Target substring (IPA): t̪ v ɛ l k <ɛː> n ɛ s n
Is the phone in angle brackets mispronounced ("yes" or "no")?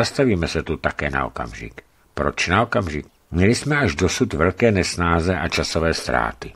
no